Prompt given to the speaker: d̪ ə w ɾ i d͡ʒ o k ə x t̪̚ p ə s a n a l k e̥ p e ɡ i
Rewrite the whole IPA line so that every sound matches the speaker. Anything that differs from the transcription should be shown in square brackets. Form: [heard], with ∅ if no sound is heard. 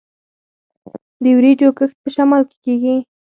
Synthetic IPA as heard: d̪ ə w ɾ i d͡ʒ o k ə x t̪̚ p ə [ʃ] a [m] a l k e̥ [k] e ɡ i